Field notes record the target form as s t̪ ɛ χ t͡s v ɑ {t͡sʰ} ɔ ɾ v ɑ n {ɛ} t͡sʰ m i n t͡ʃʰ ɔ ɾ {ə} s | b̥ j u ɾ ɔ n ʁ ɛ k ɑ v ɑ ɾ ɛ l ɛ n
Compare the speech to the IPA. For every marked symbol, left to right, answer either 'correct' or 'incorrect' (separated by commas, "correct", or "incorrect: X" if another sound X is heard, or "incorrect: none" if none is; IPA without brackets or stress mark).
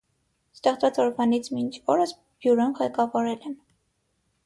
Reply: incorrect: t͡s, incorrect: i, correct